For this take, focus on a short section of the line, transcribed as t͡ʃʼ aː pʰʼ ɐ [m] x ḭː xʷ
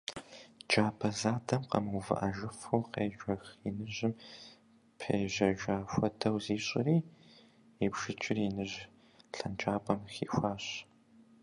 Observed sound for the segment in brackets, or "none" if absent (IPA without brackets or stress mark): m